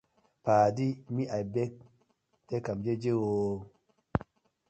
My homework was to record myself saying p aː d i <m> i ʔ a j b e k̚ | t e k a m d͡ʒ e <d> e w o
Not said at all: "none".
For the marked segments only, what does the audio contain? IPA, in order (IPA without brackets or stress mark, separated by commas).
m, d͡ʒ